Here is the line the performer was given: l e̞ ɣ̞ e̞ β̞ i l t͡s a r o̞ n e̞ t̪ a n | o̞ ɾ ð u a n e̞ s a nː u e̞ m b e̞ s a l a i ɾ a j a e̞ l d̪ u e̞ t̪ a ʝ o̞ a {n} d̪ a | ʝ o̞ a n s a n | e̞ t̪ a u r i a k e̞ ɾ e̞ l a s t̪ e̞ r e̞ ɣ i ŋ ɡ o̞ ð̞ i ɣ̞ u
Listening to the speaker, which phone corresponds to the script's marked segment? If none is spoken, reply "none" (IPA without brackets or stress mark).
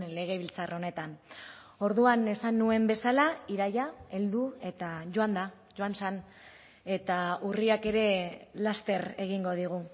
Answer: n